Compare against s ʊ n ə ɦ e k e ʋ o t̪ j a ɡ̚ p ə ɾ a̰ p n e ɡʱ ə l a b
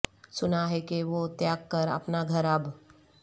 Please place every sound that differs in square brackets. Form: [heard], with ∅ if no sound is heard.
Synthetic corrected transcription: s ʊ n [a] ɦ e k e ʋ o t̪ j a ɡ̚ [k] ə ɾ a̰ p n [a] ɡʱ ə [ɾ] a b